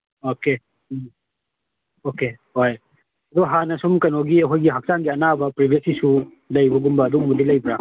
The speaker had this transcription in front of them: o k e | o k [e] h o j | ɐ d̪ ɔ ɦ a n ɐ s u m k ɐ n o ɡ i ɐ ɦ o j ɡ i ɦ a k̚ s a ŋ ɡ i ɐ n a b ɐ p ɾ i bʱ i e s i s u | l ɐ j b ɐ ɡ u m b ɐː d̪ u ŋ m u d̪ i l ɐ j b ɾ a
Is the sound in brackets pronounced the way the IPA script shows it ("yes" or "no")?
yes